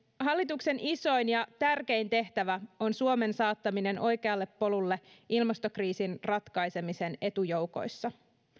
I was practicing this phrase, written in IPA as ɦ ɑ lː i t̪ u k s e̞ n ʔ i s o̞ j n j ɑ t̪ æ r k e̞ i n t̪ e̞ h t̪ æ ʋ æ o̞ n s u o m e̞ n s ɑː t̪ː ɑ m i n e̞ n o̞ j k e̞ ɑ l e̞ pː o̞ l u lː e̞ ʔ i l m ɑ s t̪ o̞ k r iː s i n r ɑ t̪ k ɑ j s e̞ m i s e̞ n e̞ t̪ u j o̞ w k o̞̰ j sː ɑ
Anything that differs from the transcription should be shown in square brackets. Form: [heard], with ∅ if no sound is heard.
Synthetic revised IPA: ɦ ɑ lː i t̪ u k s e̞ n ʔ i s o̞ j n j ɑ t̪ æ r k e̞ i n t̪ e̞ h t̪ æ ʋ æ o̞ n s u o m e̞ n s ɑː t̪ː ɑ m i n e̞ n o̞ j k e̞ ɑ [lː] e̞ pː o̞ l u lː e̞ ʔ i l m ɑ s t̪ o̞ k r iː s i n r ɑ t̪ k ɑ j s e̞ m i s e̞ n e̞ t̪ u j o̞ w k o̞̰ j sː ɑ